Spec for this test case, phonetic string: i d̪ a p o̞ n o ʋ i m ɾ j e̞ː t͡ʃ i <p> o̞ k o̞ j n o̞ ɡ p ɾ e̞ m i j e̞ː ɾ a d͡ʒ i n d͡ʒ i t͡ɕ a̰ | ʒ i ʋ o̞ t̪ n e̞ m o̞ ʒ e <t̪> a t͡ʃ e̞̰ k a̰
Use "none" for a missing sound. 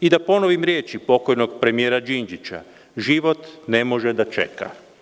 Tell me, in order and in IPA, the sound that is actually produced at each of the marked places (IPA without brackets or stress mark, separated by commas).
p, d̪